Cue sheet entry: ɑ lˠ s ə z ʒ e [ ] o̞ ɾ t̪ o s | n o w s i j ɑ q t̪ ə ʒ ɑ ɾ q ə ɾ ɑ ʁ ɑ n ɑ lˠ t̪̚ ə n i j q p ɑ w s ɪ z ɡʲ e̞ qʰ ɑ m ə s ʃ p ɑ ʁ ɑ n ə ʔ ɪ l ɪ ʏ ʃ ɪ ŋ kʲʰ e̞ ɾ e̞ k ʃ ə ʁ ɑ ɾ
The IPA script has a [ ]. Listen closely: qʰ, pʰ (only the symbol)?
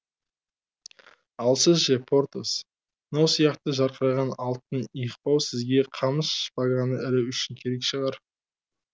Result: pʰ